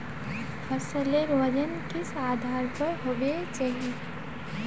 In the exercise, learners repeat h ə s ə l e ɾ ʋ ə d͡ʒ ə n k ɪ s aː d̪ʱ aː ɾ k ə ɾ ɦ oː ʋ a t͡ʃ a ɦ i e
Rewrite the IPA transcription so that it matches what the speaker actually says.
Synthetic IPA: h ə s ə l e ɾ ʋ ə d͡ʒ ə n k ɪ s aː d̪ʱ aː ɾ p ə ɾ ɦ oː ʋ e t͡ʃ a ɦ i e